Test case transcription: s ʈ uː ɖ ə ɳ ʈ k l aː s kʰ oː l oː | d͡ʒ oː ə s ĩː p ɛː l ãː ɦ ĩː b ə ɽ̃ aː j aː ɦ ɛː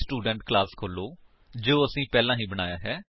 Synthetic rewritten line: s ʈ uː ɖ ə ɳ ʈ k l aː s kʰ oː l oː | d͡ʒ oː ə s ĩː p ɛː l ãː ɦ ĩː b ə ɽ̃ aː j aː ɦ ɛː